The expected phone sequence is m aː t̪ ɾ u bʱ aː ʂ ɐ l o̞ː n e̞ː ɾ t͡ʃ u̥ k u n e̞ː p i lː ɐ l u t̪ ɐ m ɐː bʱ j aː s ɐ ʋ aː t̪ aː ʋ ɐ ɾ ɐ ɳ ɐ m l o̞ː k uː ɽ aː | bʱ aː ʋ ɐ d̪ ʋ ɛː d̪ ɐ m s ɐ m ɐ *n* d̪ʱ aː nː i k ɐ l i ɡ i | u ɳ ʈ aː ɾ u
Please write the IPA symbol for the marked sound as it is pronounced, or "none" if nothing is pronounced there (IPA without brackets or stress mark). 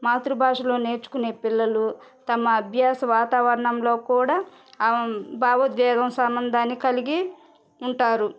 n